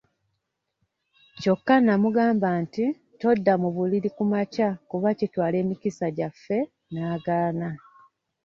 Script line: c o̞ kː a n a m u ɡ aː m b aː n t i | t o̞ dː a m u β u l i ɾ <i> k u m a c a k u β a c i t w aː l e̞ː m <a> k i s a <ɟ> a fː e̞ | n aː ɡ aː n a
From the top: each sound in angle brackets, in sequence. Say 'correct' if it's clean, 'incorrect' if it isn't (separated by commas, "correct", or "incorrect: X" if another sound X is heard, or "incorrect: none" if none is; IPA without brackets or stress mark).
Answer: correct, incorrect: i, correct